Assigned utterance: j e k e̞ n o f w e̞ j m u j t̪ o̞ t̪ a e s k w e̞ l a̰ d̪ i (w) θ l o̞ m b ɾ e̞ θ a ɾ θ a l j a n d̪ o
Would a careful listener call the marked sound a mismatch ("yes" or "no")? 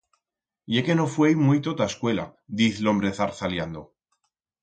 yes